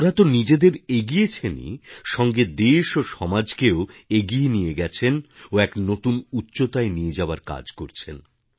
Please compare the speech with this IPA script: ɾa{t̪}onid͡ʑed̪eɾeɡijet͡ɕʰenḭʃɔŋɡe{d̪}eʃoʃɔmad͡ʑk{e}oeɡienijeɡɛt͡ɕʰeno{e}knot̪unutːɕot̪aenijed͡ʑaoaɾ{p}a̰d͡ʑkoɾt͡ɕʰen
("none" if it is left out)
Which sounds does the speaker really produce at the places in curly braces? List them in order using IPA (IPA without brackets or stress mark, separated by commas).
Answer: t̪, d̪, e, ɛ, k